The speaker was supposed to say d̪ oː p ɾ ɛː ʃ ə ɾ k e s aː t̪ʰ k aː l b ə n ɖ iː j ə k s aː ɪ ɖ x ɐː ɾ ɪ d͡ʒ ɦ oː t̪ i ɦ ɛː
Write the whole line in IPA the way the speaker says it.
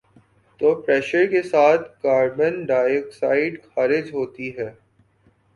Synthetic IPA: t̪ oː p ɾ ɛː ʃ ə ɾ k e s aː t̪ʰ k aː ɾ b ə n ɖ aː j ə k s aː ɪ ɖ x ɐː ɾ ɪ d͡ʒ ɦ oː t̪ i ɦ ɛː